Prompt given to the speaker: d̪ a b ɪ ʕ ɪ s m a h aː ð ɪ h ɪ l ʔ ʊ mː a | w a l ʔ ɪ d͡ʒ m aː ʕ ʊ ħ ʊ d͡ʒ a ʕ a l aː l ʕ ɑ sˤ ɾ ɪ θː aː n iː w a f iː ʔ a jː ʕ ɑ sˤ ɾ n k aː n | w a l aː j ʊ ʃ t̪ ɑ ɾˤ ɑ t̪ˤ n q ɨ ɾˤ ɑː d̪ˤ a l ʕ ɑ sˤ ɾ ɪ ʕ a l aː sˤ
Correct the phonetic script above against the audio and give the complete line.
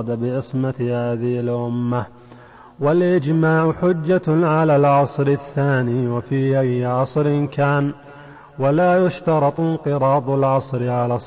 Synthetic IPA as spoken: d̪ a b ɪ ʕ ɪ s m a h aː ð ɪ h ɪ l ʔ ʊ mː a | w a l ʔ ɪ d͡ʒ m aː ʕ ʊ ħ ʊ d͡ʒː a ʕ a l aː l ʕ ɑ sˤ ɾ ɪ θː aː n iː w a f iː ʔ a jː ʕ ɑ sˤ ɾ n k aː n | w a l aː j ʊ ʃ t̪ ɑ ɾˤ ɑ t̪ˤ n q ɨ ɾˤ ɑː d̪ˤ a l ʕ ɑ sˤ ɾ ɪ ʕ a l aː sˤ